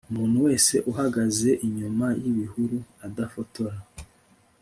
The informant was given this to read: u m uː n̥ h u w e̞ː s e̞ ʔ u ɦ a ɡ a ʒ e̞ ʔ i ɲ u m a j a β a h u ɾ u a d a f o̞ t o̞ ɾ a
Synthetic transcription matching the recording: u m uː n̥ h u w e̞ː s e̞ ʔ u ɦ a ɡ a z e̞ ʔ i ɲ u m a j i β i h u ɾ u a d a f o̞ t o̞ ɾ a